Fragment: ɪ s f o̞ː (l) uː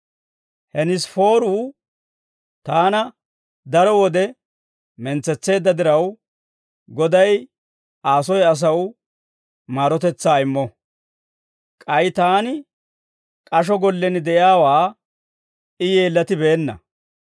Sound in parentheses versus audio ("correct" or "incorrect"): incorrect